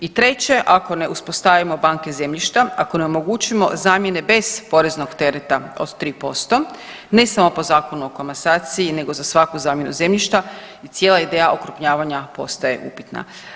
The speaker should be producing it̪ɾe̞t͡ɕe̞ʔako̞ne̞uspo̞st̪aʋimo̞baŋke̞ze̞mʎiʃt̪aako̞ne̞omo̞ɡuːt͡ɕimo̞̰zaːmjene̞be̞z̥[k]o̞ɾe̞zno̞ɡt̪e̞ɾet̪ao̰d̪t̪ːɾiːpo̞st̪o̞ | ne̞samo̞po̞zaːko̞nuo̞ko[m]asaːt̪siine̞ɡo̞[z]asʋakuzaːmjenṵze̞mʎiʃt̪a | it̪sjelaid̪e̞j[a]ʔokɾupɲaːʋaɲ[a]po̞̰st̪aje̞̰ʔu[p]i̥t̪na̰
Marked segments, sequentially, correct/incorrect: incorrect: p, correct, correct, correct, correct, correct

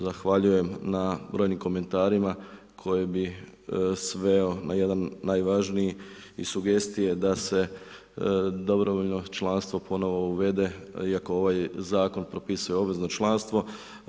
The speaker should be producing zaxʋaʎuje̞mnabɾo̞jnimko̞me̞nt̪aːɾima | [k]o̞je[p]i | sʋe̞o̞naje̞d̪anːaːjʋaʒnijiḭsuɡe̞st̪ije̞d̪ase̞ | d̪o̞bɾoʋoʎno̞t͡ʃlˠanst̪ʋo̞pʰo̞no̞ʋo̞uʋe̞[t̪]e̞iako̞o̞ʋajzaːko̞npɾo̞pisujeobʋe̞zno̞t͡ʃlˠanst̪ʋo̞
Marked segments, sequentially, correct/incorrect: incorrect: kʰ, incorrect: b, incorrect: d̪

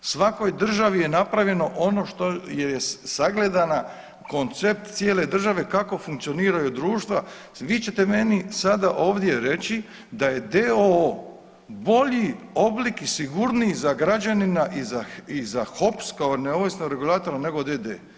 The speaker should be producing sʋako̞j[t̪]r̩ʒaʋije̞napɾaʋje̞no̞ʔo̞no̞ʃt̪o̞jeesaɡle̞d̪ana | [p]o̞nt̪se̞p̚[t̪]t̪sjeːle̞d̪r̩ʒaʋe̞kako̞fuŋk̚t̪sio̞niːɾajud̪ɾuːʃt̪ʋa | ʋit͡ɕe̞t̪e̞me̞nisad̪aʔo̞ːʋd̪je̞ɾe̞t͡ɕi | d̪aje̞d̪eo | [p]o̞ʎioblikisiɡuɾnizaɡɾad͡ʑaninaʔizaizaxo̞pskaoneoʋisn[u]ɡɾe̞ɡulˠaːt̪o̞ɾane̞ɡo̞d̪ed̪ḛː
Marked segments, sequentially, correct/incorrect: incorrect: d̪, incorrect: k, correct, incorrect: b, incorrect: o

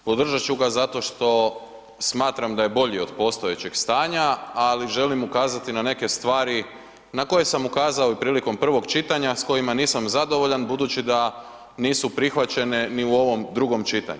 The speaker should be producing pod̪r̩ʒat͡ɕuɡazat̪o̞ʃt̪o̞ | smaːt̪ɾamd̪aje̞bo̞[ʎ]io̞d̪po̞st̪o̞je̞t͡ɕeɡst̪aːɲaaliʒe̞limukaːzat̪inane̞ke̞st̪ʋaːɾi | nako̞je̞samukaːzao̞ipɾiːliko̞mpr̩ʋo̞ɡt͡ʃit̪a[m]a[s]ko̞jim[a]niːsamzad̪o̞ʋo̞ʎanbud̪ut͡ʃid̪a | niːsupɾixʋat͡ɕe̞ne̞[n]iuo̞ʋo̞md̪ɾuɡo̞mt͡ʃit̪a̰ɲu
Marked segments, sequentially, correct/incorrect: correct, incorrect: ɲ, correct, correct, correct

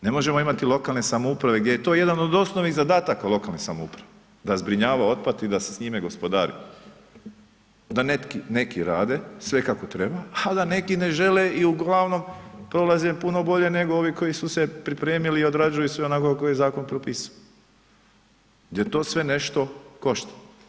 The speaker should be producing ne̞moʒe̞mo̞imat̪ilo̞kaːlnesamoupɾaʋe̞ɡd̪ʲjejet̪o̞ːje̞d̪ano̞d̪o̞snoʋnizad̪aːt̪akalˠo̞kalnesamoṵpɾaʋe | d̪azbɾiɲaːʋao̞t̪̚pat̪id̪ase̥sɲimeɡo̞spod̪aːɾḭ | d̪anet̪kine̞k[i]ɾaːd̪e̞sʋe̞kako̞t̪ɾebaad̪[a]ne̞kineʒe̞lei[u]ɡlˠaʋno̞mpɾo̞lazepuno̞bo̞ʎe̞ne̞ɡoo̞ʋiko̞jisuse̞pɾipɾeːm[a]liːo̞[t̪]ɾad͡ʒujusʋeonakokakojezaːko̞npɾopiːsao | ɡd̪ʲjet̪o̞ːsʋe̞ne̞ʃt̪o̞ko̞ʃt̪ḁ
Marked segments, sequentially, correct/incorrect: correct, correct, correct, incorrect: i, incorrect: d̪

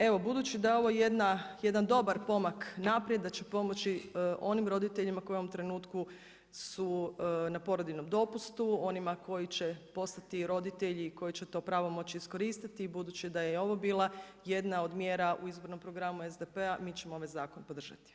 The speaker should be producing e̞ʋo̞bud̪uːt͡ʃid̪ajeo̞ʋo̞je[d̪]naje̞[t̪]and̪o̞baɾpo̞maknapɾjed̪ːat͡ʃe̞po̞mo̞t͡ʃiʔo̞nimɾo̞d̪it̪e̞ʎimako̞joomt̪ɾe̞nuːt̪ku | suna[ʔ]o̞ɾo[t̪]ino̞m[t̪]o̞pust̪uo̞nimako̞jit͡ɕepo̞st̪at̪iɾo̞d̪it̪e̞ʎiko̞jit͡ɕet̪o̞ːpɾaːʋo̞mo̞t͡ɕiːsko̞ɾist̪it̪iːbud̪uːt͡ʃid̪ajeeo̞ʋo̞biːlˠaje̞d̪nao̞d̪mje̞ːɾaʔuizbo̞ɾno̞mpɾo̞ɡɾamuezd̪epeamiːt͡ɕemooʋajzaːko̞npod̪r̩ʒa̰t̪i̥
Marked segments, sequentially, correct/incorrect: correct, incorrect: d̪, incorrect: p, incorrect: d̪, incorrect: d̪

